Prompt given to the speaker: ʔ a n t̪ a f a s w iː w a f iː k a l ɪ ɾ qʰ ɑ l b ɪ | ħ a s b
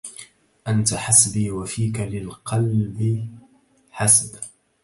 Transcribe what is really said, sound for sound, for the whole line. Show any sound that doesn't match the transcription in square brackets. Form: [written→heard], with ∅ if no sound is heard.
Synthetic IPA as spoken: ʔ a n t̪ a [f→ħ] a s [w→b] iː w a f iː k a l ɪ [ɾ→l] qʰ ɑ l b ɪ | ħ a s b